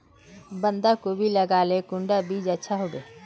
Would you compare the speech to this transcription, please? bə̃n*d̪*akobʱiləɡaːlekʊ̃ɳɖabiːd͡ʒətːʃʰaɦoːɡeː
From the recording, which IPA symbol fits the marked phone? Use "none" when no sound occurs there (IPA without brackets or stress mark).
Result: d̪